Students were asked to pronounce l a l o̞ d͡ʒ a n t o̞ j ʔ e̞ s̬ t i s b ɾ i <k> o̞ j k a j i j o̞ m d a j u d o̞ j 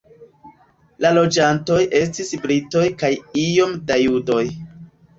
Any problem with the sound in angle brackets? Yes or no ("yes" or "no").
yes